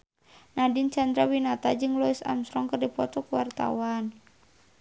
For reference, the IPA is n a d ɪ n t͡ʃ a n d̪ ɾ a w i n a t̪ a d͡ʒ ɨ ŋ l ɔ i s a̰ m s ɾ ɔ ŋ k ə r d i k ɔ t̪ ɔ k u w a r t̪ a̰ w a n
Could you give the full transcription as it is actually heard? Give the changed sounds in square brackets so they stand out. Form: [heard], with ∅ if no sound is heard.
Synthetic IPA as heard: n a d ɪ n t͡ʃ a n d̪ ɾ a w i n a t̪ a d͡ʒ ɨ ŋ l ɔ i s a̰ m s ɾ ɔ ŋ k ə r d i [p] ɔ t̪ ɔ k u w a r t̪ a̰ w a n